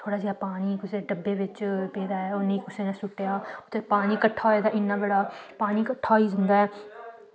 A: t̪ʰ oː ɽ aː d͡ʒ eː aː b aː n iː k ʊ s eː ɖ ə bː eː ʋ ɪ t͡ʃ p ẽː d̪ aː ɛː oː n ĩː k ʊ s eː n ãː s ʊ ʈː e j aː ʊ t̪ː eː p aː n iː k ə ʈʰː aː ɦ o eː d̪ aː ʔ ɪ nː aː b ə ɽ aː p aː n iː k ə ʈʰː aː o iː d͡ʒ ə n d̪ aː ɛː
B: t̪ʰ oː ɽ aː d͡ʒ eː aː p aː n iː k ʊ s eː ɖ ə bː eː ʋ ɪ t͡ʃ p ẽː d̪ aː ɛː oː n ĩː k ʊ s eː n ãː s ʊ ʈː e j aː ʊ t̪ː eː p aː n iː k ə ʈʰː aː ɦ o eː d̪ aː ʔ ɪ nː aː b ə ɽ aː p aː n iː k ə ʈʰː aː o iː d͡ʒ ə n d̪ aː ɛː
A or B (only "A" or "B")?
B